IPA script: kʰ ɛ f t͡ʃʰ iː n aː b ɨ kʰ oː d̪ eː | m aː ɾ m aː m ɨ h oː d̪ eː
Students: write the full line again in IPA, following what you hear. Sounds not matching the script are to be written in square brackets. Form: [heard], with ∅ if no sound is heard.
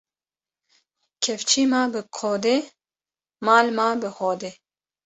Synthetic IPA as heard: kʰ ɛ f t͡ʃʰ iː [m] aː b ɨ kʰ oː d̪ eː | m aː [l] m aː [b] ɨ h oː d̪ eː